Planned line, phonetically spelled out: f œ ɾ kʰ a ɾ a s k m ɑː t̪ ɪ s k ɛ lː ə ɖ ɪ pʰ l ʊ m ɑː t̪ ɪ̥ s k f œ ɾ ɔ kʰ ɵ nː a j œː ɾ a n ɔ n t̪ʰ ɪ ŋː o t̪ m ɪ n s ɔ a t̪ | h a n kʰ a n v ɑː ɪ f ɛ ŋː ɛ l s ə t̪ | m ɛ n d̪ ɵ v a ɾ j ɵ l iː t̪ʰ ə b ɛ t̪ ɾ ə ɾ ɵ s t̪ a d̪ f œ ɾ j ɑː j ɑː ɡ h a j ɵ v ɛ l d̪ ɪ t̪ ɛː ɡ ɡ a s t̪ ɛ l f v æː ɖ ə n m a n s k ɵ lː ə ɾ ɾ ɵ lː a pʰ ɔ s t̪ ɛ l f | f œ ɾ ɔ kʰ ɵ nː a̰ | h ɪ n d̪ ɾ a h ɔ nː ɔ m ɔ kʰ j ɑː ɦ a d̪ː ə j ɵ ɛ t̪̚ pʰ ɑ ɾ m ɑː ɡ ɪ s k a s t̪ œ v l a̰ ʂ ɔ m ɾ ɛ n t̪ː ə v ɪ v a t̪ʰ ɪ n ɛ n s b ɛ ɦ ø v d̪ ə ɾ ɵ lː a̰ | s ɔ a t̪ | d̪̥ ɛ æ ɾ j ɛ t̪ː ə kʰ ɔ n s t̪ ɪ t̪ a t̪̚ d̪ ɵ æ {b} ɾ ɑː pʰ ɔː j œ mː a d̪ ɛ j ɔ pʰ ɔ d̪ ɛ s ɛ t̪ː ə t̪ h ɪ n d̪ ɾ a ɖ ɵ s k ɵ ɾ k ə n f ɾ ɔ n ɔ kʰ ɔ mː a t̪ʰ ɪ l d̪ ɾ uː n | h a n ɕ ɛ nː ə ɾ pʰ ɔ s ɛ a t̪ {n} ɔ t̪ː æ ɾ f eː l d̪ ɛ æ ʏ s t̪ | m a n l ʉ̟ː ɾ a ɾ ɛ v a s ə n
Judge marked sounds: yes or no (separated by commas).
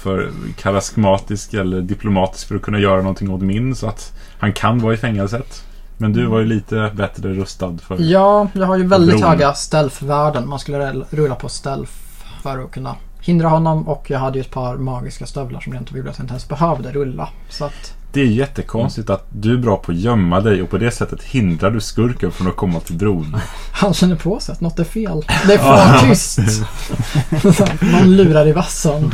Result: yes, yes